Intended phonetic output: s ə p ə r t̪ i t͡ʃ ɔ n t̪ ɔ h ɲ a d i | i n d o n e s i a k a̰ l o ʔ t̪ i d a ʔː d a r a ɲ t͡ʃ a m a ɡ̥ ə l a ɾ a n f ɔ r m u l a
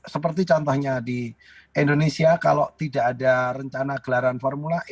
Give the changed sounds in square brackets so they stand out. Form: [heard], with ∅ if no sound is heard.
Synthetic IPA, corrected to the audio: s ə p ə r t̪ i t͡ʃ ɔ n t̪ ɔ h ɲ a d i | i n d o n e s i a k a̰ l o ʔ t̪ i d a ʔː d a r [ə] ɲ t͡ʃ a [n] a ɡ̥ ə l a ɾ a n f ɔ r m u l a